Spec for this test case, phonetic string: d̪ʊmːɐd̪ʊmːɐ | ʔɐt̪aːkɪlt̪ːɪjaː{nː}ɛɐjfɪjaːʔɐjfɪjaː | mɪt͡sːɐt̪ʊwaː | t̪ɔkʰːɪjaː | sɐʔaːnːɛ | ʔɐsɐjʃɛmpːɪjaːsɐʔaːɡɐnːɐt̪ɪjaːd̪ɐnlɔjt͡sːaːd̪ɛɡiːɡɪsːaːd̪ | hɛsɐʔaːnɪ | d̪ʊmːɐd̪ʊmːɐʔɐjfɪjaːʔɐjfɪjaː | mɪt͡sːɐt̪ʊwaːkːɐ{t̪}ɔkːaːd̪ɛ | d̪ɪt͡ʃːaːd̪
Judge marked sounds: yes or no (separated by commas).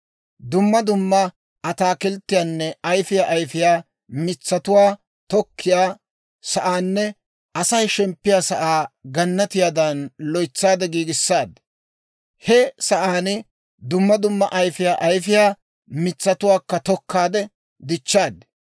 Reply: yes, yes